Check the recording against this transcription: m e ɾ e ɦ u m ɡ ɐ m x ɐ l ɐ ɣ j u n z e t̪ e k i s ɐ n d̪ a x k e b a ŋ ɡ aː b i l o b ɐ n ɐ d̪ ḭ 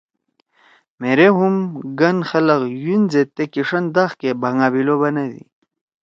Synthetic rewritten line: m e ɾ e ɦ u m ɡ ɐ n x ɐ l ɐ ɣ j u n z e t̪ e k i ʂ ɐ n d̪ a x k e b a ŋ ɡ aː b i l o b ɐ n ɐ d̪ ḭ